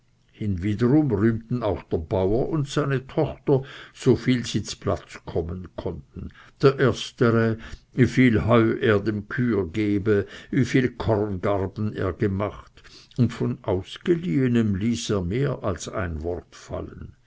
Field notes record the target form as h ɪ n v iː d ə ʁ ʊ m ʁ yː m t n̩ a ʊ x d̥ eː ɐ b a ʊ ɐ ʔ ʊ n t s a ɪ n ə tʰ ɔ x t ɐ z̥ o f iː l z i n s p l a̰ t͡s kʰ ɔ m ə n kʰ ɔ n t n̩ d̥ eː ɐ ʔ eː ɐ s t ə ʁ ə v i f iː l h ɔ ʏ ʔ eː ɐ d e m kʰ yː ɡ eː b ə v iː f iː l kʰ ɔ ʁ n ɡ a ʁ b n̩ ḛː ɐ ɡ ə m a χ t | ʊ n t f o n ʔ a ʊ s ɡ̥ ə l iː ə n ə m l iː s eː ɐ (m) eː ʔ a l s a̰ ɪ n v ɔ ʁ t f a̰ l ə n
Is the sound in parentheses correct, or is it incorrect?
correct